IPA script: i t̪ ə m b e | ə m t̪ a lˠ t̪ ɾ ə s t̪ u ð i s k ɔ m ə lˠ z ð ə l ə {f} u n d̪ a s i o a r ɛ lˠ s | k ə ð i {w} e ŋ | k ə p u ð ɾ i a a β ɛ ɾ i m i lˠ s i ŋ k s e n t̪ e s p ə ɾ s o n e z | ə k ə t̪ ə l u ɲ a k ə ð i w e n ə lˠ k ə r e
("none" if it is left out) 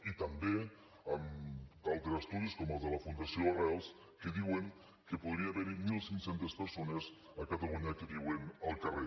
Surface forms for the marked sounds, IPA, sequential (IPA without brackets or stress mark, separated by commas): f, w